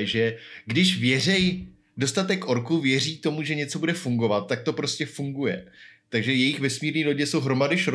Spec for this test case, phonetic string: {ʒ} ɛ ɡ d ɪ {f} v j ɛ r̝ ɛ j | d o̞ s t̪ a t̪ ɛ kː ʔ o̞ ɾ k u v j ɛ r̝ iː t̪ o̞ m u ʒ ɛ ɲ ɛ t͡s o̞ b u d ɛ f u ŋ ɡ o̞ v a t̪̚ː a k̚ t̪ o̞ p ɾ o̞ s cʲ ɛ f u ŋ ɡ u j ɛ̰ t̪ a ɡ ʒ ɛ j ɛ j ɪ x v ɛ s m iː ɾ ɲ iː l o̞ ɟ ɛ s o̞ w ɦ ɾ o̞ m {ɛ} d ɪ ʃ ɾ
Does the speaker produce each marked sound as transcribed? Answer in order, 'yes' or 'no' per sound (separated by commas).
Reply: yes, no, no